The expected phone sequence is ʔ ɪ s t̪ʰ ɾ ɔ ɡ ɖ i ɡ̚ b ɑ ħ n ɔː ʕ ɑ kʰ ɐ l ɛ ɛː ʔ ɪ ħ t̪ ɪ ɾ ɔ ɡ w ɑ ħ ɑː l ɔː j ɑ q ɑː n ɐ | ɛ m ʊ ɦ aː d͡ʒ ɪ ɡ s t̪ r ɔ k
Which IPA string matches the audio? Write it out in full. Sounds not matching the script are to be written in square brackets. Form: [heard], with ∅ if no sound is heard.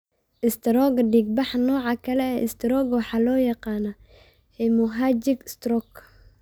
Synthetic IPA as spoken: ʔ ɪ s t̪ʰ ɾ ɔ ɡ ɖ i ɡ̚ b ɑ ħ n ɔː ʕ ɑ kʰ ɐ l ɛ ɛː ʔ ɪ [s] t̪ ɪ ɾ ɔ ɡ w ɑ ħ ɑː l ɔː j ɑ q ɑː n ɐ | ɛ m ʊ ɦ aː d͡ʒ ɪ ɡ s t̪ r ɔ k